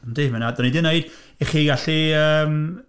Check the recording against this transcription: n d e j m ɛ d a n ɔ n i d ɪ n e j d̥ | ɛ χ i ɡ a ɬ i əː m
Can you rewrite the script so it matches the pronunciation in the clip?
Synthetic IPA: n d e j m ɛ n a d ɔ n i d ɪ n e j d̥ | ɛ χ i ɡ a ɬ i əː m